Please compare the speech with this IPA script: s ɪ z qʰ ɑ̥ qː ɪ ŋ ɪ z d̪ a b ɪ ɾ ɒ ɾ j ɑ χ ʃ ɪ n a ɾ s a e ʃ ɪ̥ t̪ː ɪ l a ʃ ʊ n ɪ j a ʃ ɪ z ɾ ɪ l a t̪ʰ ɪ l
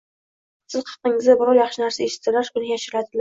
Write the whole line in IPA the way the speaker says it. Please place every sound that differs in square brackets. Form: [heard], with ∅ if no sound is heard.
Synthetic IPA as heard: s ɪ z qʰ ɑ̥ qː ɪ ŋ ɪ z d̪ a b ɪ ɾ ɒ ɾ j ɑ χ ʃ ɪ n a ɾ s a e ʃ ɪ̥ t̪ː ɪ l a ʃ ʊ n ɪ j a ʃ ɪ [∅] ɾ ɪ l a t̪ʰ ɪ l